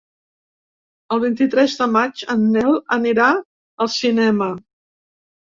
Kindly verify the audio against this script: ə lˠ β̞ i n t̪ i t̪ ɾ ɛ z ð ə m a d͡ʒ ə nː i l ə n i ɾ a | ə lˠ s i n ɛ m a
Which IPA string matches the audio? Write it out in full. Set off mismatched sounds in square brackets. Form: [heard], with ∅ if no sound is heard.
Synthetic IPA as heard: ə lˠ β̞ i n t̪ i t̪ ɾ ɛ z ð ə m a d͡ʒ ə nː [ɛ] l ə n i ɾ a | ə lˠ s i n ɛ m [ə]